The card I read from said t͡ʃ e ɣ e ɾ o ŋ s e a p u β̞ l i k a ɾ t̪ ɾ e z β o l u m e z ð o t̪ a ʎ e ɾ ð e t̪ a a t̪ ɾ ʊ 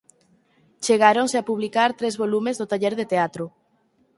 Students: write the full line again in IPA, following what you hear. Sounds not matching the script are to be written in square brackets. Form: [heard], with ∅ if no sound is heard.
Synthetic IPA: t͡ʃ e ɣ [a] ɾ o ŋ s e a p u β̞ l i k a ɾ t̪ ɾ e z β o l u m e z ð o t̪ a ʎ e ɾ ð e t̪ [e] a t̪ ɾ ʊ